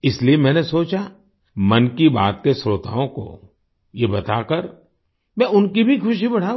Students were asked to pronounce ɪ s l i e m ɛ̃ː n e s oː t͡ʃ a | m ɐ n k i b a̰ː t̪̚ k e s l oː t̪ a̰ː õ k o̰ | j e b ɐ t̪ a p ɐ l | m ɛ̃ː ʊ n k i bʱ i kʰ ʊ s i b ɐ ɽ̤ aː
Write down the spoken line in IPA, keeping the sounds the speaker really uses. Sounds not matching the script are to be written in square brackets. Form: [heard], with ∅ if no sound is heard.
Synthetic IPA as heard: ɪ s l i e m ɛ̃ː n e s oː t͡ʃ a | m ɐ n k i b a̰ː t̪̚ k e s [ɾ] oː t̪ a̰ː õ k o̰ | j e b ɐ t̪ a [k] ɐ [ɾ] | m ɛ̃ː ʊ n k i bʱ i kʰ ʊ [ʃ] i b ɐ ɽ̤ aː

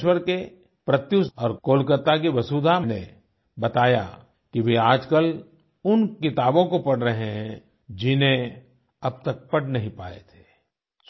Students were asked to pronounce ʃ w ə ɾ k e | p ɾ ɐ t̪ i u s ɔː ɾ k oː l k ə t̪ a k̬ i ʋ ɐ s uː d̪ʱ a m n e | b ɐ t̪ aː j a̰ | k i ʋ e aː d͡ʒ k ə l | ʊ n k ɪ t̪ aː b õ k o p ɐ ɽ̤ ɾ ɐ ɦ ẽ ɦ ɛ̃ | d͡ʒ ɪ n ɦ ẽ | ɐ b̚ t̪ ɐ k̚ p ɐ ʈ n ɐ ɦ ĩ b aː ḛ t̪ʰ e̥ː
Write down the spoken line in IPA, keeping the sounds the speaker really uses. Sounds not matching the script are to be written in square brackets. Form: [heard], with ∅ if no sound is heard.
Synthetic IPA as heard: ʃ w ə ɾ k e | p ɾ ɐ t̪ [j] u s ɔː ɾ k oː l k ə t̪ a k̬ i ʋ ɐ s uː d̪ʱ a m n e | b ɐ t̪ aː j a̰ | k i ʋ e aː d͡ʒ k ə l | ʊ n k ɪ t̪ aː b õ k o p ɐ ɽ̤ ɾ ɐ ɦ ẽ ɦ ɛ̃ | d͡ʒ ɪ n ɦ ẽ | ɐ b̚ t̪ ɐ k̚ p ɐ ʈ n ɐ ɦ ĩ [p] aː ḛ t̪ʰ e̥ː

